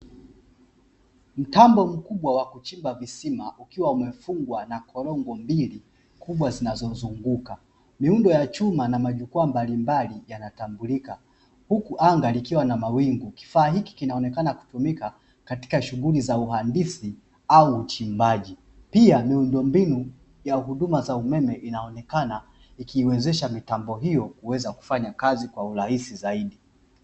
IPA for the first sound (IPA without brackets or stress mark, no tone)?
m̩